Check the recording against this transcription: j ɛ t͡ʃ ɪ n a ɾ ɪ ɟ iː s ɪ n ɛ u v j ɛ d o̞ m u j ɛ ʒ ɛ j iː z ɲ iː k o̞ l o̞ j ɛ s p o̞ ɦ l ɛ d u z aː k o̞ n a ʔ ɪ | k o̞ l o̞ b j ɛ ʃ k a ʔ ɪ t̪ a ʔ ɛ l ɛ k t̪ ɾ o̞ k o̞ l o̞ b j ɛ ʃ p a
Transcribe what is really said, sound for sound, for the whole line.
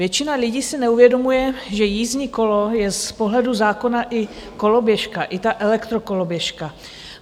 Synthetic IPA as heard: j ɛ t͡ʃ ɪ n a l ɪ ɟ iː s ɪ n ɛ u v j ɛ d o̞ m u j ɛ ʒ ɛ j iː z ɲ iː k o̞ l o̞ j ɛ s p o̞ ɦ l ɛ d u z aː k o̞ n a ʔ ɪ | k o̞ l o̞ b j ɛ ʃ k a ʔ ɪ t̪ a ʔ ɛ l ɛ k t̪ ɾ o̞ k o̞ l o̞ b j ɛ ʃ k a

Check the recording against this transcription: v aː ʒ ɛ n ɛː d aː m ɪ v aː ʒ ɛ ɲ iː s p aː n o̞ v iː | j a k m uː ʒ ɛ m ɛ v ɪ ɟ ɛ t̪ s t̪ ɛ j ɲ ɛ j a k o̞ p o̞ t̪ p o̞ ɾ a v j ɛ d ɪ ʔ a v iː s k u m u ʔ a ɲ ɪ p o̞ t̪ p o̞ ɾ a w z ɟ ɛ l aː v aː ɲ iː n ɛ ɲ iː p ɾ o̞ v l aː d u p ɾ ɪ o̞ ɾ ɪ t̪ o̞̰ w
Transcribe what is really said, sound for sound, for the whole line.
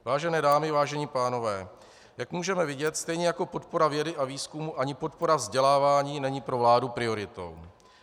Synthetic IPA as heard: v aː ʒ ɛ n ɛː d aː m ɪ v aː ʒ ɛ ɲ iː p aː n o̞ v ɛː | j a k m uː ʒ ɛ m ɛ v ɪ ɟ ɛ t̪ s t̪ ɛ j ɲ ɛ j a k o̞ p o̞ t̪ p o̞ ɾ a v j ɛ d ɪ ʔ a v iː s k u m u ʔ a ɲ ɪ p o̞ t̪ p o̞ ɾ a v z ɟ ɛ l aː v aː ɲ iː n ɛ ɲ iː p ɾ o̞ v l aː d u p ɾ ɪ o̞ ɾ ɪ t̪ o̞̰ w

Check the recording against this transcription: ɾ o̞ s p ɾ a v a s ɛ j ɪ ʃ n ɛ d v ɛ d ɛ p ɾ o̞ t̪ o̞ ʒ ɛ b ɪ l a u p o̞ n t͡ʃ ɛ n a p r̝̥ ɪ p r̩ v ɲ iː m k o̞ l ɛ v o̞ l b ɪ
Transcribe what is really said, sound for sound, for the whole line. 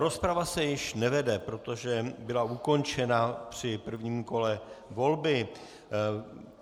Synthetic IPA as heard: ɾ o̞ s p ɾ a v a s ɛ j ɪ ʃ n ɛ v ɛ d ɛ p ɾ o̞ t̪ o̞ ʒ ɛ b ɪ l a u k o̞ n t͡ʃ ɛ n a p r̝̥ ɪ p r̩ v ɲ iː m k o̞ l ɛ v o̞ l b ɪ

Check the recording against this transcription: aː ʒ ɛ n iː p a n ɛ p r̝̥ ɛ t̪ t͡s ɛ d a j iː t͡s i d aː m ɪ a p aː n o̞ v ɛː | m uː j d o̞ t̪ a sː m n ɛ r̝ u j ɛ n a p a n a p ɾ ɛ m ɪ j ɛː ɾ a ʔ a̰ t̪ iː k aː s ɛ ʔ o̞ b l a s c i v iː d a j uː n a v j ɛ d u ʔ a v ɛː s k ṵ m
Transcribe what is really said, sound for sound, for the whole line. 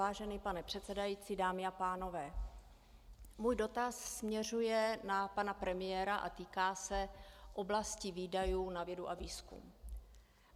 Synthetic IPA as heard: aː ʒ ɛ n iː p a n ɛ p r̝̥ ɛ t̪ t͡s ɛ d a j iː t͡s i d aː m ɪ a p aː n o̞ v ɛː | m uː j d o̞ t̪ a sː m ɲ ɛ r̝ u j ɛ n a p a n a p ɾ ɛ m ɪ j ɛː ɾ a ʔ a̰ t̪ iː k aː s ɛ ʔ o̞ b l a s c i v iː d a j uː n a v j ɛ d u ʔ a v iː s k ṵ m

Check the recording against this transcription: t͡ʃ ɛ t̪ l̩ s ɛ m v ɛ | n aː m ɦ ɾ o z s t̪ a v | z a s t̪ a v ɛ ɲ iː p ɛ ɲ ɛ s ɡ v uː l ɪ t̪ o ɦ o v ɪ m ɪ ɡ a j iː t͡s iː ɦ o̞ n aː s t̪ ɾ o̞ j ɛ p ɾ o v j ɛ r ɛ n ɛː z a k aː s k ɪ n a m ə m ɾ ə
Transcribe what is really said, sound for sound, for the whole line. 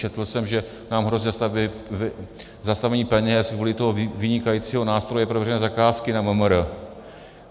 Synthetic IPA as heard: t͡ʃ ɛ t̪ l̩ s ɛ m ʒ ɛ | n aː m ɦ ɾ o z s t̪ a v | z a s t̪ a v ɛ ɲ iː p ɛ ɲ ɛ s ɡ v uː l ɪ t̪ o ɦ o v ɪ ɲ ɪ k a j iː t͡s iː ɦ o̞ n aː s t̪ ɾ o̞ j ɛ p ɾ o v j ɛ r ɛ n ɛː z a k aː s k ɪ n a m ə m ɾ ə

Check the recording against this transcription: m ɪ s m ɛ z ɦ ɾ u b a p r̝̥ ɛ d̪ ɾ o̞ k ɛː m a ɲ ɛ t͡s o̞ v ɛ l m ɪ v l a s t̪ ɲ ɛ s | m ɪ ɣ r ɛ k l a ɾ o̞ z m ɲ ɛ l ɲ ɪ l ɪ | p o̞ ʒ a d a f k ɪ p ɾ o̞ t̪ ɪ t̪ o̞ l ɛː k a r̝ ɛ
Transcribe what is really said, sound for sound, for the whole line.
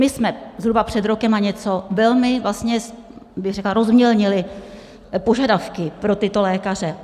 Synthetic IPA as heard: m ɪ s m ɛ z ɦ ɾ u b a p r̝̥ ɛ d̪ ɾ o̞ k ɛ m a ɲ ɛ t͡s o̞ v ɛ l m ɪ v l a s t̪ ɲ ɛ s | b ɪ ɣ r ɛ k l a ɾ o̞ z m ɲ ɛ l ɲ ɪ l ɪ | p o̞ ʒ a d a f k ɪ p ɾ o̞ t̪ ɪ t̪ o̞ l ɛː k a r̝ ɛ

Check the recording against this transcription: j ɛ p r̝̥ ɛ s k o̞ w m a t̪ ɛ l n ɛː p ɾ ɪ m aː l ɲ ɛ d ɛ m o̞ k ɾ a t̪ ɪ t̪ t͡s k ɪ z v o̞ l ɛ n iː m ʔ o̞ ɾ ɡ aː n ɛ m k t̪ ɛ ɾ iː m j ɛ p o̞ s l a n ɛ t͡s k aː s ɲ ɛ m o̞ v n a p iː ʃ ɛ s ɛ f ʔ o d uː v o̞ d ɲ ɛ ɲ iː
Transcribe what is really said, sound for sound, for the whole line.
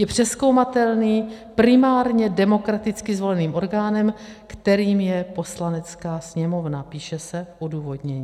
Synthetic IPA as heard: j ɛ p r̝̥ ɛ s k o̞ w m a t̪ ɛ l n iː p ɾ ɪ m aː ɾ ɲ ɛ d ɛ m o̞ k ɾ a t̪ ɪ t͡s k ɪ z v o̞ l ɛ n iː m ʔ o̞ ɾ ɡ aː n ɛ m k t̪ ɛ ɾ iː m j ɛ p o̞ s l a n ɛ t͡s k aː s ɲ ɛ m o̞ v n a p iː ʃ ɛ s ɛ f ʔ o d uː v o̞ d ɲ ɛ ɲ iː

